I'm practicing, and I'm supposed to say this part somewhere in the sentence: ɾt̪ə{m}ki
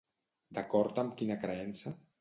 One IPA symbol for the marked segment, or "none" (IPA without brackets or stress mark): m